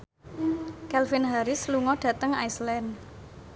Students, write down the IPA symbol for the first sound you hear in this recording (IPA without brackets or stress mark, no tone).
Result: k